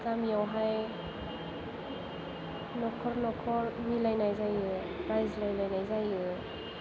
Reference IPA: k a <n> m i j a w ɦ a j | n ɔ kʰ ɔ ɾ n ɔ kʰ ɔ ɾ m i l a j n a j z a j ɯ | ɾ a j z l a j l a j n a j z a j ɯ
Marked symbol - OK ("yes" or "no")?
no